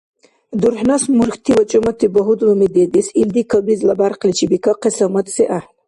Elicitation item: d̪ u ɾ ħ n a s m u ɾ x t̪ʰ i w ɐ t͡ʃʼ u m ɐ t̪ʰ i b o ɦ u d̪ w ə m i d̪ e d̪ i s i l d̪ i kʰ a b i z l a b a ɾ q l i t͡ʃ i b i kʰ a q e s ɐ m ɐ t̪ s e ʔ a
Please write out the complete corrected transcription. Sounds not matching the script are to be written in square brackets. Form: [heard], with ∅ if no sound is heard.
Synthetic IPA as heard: d̪ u ɾ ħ n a s m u ɾ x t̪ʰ i w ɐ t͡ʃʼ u m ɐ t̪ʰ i b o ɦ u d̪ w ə m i d̪ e d̪ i s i l d̪ i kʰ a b i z l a b a ɾ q l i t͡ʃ i b i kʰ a q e s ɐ m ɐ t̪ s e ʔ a